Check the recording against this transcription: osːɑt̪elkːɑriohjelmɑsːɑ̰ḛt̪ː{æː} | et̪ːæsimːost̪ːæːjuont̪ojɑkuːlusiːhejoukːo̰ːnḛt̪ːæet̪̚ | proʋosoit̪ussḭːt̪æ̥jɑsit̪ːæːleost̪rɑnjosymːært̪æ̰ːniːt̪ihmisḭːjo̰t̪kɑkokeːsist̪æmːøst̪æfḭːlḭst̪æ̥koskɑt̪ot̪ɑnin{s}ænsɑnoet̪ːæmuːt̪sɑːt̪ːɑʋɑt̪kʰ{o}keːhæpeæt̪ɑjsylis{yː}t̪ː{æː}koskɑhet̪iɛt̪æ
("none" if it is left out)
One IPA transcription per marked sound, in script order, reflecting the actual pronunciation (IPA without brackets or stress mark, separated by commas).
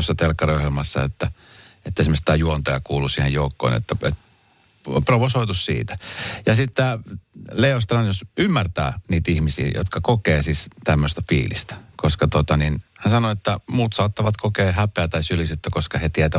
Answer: æ, h, o, y, æ